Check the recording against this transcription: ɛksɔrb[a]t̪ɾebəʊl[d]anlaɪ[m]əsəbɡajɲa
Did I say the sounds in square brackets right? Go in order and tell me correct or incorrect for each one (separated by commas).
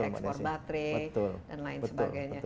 correct, correct, incorrect